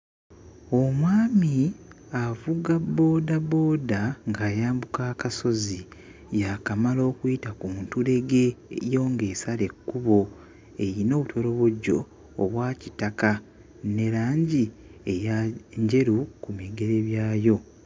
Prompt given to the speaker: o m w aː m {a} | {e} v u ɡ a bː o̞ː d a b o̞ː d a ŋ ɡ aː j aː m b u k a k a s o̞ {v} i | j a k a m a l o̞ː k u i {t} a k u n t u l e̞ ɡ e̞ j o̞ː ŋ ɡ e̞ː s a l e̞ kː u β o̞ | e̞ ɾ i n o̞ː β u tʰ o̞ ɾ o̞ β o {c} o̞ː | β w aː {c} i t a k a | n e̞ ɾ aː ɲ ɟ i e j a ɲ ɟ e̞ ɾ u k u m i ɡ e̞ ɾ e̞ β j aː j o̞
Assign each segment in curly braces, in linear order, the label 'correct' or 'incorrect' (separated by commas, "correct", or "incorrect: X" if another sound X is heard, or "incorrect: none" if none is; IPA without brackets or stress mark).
incorrect: i, incorrect: a, incorrect: z, correct, incorrect: ɟ, correct